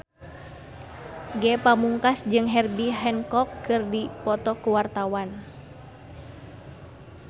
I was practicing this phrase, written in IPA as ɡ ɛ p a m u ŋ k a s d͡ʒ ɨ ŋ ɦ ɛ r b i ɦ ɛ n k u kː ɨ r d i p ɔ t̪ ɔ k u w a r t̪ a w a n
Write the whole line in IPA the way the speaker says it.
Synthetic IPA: ɡ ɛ p a m u ŋ k a s d͡ʒ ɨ ŋ ɦ ɛ r b i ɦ ɛ n k ɔ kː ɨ r d i p ɔ t̪ ɔ k u w a r t̪ a w a n